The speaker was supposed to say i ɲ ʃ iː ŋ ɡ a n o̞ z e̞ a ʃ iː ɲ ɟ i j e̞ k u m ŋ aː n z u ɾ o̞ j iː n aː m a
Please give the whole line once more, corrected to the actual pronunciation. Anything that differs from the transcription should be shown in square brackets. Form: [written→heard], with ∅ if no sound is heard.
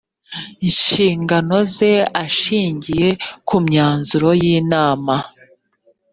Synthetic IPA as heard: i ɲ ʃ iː ŋ ɡ a n o̞ z e̞ a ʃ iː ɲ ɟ i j e̞ k u m [ŋ→ɲ] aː n z u ɾ o̞ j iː n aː m a